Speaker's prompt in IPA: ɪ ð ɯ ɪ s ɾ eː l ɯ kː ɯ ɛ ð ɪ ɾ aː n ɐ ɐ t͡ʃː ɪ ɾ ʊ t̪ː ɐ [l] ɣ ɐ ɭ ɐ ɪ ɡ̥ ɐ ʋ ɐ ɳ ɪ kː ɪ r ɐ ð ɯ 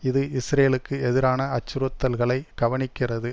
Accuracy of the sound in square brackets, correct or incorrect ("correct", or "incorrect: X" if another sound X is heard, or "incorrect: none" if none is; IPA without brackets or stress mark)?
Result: correct